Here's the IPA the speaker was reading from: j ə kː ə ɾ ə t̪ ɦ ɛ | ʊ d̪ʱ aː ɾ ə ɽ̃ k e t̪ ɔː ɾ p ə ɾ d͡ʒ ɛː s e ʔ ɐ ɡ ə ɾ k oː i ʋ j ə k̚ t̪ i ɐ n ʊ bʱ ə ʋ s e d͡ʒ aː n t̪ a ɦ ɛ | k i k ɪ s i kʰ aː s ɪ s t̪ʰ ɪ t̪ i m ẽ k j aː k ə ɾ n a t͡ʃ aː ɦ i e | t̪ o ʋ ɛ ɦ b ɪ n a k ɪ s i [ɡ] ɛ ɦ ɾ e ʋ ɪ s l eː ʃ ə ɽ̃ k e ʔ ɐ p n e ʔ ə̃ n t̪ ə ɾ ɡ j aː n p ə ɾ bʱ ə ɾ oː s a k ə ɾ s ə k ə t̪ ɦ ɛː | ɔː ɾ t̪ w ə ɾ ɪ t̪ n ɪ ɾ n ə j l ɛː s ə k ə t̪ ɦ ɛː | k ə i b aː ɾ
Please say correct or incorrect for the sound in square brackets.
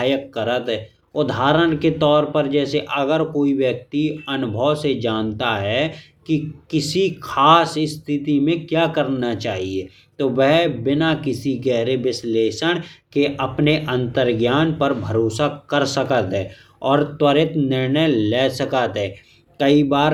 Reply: correct